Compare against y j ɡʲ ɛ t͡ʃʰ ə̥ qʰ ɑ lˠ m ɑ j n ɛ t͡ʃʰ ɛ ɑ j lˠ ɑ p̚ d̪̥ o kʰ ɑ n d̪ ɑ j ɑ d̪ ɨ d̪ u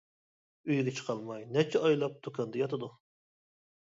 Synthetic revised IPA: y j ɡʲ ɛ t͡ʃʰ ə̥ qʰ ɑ lˠ m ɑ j n ɛ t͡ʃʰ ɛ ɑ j lˠ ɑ p̚ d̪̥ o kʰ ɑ n d̪ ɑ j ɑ t̪ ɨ d̪ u